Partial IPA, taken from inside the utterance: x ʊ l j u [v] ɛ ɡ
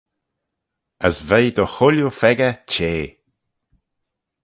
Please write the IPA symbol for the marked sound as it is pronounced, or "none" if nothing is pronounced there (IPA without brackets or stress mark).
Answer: f